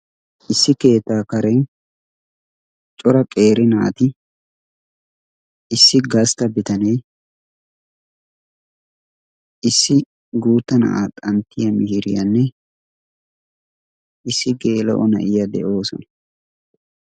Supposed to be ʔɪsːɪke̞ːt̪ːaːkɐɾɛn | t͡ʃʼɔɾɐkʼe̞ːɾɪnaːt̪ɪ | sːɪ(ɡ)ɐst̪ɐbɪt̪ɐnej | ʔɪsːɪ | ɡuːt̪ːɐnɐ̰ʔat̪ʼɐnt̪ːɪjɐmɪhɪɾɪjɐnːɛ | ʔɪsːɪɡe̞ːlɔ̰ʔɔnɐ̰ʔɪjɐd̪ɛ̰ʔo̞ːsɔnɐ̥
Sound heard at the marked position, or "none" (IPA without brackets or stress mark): ɡ